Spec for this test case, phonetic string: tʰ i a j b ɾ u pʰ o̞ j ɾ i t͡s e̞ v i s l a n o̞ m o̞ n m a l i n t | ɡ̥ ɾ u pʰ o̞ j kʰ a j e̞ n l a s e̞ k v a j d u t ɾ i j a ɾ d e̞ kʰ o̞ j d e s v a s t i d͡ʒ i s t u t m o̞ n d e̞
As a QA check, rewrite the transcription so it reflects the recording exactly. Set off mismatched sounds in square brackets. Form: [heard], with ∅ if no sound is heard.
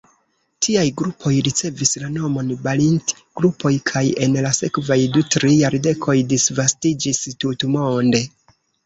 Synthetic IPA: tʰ i a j [ɡ] ɾ u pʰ o̞ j ɾ i t͡s e̞ v i s l a n o̞ m o̞ n [b] a l i n t | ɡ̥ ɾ u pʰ o̞ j kʰ a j e̞ n l a s e̞ k v a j d u t ɾ i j a ɾ d e̞ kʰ o̞ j d [i] s v a s t i d͡ʒ i s t u t m o̞ n d e̞

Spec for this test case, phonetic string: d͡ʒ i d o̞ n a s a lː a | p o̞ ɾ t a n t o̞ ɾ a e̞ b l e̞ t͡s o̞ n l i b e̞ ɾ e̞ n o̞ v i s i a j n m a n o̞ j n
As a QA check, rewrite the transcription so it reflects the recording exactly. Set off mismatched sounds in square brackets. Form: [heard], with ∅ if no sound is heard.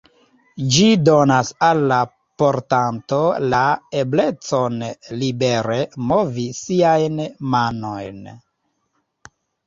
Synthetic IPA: d͡ʒ i d o̞ n a s a lː a | p o̞ ɾ t a n t o̞ [l] a e̞ b l e̞ t͡s o̞ n l i b e̞ ɾ e̞ [m] o̞ v i s i a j n m a n o̞ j n

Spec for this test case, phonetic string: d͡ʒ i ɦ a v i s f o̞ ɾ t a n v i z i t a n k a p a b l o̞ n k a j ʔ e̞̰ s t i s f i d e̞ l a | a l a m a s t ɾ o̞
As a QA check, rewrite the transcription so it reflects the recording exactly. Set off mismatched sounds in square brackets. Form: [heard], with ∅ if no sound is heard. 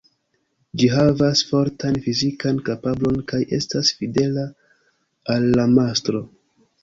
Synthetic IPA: d͡ʒ i ɦ a v [a] s f o̞ ɾ t a n [f] i z i [k] a n k a p a b l o̞ n k a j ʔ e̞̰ s t [a] s f i d e̞ l a | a [lː] a m a s t ɾ o̞

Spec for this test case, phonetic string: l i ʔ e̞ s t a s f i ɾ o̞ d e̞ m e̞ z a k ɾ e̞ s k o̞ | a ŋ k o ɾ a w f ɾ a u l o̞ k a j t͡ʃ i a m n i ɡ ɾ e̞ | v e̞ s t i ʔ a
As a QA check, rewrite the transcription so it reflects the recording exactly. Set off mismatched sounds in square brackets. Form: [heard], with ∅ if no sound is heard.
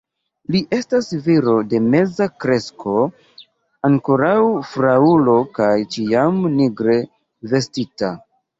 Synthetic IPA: l i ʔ e̞ s t a s [v] i ɾ o̞ d e̞ m e̞ z a k ɾ e̞ s k o̞ | a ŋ k o ɾ a w f ɾ a u l o̞ k a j t͡ʃ i a m n i ɡ ɾ e̞ | v e̞ s t i [t] a

